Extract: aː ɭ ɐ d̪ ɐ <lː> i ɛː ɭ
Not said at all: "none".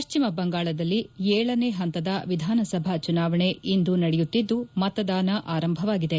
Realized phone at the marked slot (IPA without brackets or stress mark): lː